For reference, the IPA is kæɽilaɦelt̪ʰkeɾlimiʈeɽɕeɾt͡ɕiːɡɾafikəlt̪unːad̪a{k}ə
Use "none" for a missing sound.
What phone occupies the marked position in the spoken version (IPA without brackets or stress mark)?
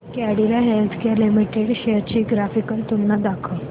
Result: kʰ